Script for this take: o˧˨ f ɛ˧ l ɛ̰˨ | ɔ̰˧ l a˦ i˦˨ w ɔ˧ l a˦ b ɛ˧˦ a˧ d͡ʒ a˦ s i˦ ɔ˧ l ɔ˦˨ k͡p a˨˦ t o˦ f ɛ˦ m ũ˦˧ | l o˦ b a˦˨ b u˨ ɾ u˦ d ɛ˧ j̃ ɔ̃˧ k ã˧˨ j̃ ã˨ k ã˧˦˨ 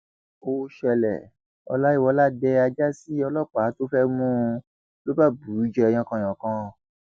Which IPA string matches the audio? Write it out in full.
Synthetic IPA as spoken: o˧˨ ʃ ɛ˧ l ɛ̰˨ | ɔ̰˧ l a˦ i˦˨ w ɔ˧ l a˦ d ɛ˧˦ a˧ d͡ʒ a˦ s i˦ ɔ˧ l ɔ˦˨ k͡p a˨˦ t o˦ f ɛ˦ m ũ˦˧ | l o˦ b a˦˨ b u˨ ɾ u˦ d͡ʒ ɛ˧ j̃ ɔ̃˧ k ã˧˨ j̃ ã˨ k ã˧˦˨

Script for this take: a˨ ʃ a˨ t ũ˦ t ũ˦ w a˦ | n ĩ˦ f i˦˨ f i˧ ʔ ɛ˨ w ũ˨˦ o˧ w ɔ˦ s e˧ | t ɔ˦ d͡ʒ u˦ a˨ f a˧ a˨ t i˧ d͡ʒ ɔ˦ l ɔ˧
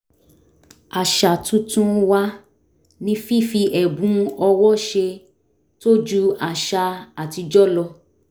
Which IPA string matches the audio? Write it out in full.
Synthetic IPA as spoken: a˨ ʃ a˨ t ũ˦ t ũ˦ w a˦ | n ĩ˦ f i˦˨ f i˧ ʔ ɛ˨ b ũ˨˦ ɔ˧ w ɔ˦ ʃ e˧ | t o˦ d͡ʒ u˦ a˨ ʃ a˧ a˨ t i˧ d͡ʒ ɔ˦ l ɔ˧

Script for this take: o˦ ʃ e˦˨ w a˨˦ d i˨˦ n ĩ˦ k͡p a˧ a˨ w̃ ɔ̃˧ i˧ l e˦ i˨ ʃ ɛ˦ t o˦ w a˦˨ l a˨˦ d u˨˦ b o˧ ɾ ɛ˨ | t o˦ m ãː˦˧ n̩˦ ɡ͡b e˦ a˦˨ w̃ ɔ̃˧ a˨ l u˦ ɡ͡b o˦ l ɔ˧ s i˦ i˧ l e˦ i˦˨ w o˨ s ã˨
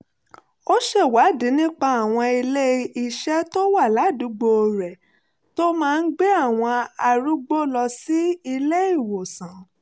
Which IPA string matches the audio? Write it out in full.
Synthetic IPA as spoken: o˦ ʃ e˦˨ w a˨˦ d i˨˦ n ĩ˦ k͡p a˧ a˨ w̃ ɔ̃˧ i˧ l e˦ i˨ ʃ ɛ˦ t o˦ w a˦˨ l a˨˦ d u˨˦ ɡ͡b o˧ ɾ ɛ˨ | t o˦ m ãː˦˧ n̩˦ ɡ͡b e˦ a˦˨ w̃ ɔ̃˧ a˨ ɾ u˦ ɡ͡b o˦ l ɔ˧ s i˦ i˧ l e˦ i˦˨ w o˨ s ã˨

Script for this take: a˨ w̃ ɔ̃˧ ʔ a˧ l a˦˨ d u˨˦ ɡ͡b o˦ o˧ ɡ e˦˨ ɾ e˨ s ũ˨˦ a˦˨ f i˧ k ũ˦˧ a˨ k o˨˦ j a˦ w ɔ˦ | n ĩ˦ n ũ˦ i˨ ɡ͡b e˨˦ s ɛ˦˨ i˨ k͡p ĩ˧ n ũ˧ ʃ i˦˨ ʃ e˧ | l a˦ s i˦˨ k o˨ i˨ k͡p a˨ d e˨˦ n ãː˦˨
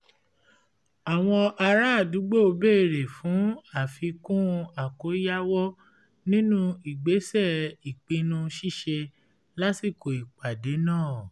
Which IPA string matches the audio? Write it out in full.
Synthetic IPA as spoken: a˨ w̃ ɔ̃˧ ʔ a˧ ɾ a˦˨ d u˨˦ ɡ͡b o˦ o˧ b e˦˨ ɾ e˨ f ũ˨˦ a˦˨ f i˧ k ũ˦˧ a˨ k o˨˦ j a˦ w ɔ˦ | n ĩ˦ n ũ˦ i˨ ɡ͡b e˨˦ s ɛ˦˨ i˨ k͡p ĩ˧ n ũ˧ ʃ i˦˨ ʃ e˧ | l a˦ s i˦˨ k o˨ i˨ k͡p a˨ d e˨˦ n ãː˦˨

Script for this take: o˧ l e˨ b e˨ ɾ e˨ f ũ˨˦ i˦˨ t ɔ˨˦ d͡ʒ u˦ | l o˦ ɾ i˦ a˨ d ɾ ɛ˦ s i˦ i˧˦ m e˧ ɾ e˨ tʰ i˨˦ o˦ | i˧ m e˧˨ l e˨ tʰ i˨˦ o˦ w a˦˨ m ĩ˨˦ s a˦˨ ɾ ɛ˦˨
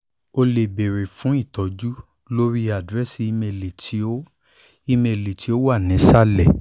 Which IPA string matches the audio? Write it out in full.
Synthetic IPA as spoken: o˧ l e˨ b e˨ ɾ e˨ f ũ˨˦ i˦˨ t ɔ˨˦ d͡ʒ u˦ | l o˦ ɾ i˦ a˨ d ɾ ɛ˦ s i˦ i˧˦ m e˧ l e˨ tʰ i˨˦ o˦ | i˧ m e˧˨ l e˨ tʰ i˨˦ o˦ w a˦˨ n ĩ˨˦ s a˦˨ l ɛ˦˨

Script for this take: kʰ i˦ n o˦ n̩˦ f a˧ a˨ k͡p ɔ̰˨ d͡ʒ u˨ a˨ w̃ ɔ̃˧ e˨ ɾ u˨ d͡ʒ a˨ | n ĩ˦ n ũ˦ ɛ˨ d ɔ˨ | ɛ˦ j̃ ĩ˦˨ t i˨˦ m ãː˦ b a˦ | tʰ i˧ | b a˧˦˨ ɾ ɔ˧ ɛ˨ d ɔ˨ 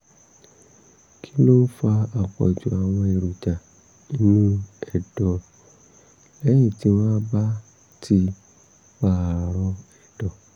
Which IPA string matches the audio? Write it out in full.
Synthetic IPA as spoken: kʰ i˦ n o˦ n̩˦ f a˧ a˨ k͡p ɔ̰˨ d͡ʒ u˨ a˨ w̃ ɔ̃˧ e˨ ɾ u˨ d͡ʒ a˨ | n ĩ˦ n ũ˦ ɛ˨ d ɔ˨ | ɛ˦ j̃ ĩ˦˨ t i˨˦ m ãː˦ b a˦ | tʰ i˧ | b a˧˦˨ ɾ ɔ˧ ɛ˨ d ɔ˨

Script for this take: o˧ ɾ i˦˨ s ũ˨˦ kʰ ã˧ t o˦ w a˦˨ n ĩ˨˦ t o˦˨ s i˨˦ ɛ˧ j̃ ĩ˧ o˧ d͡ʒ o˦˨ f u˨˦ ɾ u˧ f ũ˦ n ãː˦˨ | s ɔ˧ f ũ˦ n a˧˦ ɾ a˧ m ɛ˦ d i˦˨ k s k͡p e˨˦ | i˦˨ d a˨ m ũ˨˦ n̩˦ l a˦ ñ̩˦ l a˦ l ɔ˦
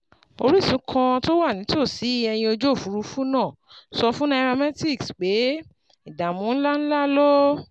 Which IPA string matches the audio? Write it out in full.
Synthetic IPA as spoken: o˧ ɾ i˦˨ s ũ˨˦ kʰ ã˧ t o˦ w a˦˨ n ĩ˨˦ t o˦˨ s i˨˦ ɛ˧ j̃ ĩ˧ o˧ d͡ʒ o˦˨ f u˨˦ ɾ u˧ f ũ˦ n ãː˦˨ | s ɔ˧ f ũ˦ n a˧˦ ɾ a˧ m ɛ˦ t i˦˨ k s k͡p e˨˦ | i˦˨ d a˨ m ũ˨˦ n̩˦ l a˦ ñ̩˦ l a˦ l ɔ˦

